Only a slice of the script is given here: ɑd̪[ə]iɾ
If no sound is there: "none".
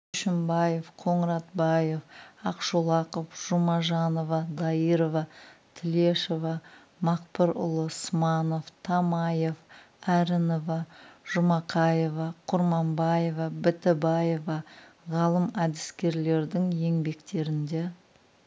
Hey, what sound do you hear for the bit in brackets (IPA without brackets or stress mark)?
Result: ɑ